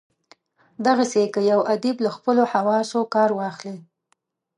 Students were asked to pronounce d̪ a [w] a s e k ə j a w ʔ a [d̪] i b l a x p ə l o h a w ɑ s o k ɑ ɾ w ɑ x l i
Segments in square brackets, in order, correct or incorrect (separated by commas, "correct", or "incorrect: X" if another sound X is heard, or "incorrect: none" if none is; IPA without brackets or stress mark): incorrect: ɣ, correct